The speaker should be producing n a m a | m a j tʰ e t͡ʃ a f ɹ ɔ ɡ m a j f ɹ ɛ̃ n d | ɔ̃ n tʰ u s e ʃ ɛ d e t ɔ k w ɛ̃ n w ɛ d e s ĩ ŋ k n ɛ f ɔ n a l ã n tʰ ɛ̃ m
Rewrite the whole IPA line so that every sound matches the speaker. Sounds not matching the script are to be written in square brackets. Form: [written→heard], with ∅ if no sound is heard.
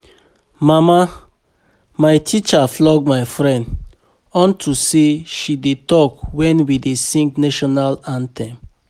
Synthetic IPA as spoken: [n→m] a m a | m a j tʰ [e→i] t͡ʃ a f [ɹ→l] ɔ ɡ m a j f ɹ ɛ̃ n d | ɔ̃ n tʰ u s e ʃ [ɛ→i] d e t ɔ k w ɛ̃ n w [ɛ→i] d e s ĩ ŋ k n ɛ [f→ʃ] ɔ n a l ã n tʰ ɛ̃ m